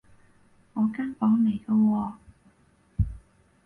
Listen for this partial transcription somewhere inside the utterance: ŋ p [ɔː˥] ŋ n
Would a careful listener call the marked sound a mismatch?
yes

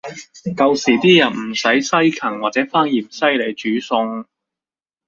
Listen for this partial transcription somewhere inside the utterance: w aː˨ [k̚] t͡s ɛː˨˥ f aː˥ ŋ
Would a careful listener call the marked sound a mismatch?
yes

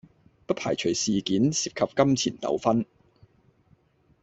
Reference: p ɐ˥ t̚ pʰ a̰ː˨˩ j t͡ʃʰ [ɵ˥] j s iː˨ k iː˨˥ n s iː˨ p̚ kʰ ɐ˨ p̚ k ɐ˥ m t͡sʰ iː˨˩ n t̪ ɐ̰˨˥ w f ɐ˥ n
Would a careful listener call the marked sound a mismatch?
yes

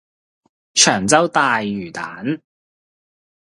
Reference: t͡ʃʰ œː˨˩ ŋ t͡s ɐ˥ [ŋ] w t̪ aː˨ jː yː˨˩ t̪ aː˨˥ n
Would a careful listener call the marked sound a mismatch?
yes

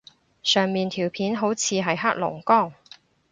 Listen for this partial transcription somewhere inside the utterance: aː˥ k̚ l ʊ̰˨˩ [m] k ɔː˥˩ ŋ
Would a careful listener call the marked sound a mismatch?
yes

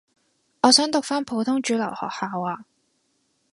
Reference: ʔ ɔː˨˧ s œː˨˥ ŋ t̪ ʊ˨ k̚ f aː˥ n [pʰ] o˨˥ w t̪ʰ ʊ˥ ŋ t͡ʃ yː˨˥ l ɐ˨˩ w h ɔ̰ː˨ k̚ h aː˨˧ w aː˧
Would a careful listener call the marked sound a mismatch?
no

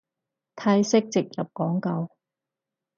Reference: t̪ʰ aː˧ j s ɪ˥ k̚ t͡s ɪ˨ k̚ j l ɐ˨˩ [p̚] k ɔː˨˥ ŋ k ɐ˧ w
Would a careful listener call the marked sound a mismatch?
no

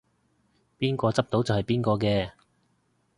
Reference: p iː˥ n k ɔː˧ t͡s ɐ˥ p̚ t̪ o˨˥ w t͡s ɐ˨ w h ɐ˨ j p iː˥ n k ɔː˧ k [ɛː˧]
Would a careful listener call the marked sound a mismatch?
no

